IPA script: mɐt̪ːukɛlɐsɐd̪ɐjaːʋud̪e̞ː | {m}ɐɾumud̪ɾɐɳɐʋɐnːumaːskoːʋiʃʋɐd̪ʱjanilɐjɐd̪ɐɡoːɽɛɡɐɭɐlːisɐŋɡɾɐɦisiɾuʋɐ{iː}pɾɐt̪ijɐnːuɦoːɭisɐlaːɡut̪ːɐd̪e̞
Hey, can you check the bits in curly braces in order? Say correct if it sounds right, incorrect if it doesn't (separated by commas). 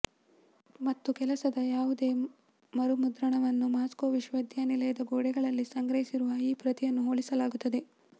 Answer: correct, correct